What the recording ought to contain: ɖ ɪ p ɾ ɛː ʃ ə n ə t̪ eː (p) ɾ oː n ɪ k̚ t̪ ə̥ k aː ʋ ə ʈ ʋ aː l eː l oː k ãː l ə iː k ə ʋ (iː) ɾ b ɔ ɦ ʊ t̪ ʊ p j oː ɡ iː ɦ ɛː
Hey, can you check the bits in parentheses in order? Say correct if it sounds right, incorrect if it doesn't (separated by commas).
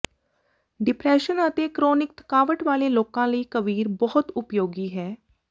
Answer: incorrect, correct